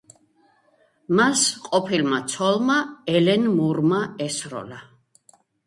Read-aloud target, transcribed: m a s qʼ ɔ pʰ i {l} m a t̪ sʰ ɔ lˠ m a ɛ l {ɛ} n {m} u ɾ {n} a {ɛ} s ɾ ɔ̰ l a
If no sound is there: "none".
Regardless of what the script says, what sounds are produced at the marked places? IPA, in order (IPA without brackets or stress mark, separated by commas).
l, ɛ, m, m, ɛ